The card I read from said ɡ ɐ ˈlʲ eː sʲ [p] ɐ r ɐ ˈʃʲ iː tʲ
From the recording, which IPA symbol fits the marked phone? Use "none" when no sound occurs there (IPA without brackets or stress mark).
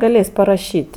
p